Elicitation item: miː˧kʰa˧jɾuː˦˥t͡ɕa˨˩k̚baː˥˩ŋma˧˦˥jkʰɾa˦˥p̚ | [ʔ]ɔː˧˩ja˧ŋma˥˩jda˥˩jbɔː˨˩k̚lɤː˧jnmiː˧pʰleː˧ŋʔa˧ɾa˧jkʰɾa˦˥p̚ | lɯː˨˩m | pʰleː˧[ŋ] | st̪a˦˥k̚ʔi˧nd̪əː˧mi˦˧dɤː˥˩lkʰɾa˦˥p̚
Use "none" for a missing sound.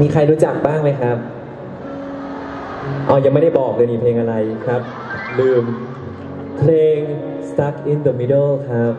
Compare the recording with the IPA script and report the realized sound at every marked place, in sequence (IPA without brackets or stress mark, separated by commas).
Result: ʔ, ŋ